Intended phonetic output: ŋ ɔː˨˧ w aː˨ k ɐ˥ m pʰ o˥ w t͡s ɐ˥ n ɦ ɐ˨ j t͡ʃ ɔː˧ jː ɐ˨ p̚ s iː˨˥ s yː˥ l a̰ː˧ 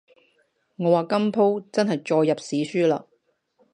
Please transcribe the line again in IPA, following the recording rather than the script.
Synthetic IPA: ŋ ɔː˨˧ w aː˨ k ɐ˥ m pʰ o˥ w t͡s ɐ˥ n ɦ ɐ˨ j t͡ʃ ɔː˧ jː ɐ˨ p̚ s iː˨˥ s yː˥ l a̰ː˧